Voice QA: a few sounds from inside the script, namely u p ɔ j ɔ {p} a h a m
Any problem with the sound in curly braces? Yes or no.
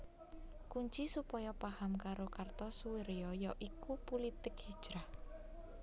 no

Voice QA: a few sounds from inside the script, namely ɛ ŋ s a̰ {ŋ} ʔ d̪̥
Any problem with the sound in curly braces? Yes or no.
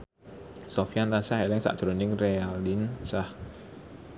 yes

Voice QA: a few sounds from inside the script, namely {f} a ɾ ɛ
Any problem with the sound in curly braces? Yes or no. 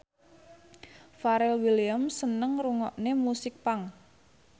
no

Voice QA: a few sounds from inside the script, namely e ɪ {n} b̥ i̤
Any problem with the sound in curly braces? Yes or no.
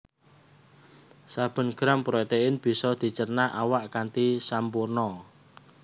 no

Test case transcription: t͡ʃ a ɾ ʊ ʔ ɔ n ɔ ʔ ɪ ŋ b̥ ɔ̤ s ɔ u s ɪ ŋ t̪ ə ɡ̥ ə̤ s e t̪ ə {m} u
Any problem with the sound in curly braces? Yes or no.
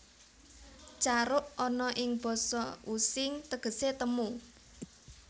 no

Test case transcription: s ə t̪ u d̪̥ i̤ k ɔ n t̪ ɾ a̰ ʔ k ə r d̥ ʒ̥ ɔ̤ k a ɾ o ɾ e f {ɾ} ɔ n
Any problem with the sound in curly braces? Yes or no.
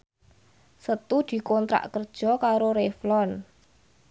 yes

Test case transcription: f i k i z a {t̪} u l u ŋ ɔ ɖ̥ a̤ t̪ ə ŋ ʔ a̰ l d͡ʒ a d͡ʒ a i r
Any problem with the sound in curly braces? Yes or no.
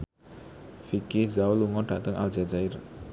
yes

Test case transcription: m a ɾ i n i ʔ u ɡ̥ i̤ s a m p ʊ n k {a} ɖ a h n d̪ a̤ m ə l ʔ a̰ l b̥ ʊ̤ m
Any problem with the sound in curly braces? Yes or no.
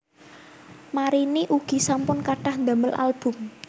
no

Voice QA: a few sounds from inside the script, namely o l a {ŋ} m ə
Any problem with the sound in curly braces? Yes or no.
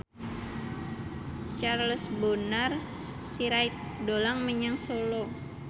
no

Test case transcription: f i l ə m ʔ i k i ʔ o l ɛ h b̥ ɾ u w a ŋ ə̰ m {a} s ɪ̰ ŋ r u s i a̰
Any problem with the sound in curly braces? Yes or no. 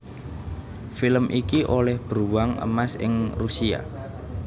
no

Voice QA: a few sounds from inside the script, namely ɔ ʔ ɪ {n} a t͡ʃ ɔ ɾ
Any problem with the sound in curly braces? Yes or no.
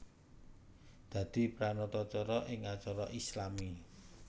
yes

